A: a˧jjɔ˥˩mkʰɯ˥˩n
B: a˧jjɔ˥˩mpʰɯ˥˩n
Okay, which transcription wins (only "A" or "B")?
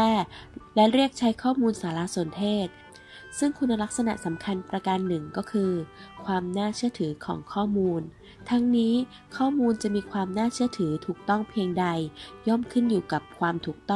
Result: A